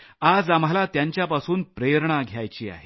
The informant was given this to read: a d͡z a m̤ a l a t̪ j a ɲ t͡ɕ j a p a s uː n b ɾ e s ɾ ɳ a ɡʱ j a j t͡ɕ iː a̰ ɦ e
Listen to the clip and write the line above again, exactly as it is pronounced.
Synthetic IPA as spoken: a d͡z a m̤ a l a t̪ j a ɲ t͡ɕ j a p a s uː n p ɾ e ɾ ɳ a ɡʱ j a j t͡ɕ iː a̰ ɦ e